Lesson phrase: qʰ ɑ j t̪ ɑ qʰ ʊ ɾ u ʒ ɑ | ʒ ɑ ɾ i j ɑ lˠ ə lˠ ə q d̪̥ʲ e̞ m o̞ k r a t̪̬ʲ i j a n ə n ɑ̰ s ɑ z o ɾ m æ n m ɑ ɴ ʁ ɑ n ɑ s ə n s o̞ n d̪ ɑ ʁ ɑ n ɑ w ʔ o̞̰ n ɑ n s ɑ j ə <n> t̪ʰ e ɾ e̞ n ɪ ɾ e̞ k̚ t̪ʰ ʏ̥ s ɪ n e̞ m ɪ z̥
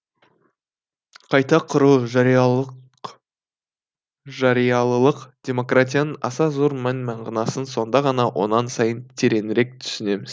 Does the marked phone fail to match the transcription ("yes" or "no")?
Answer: no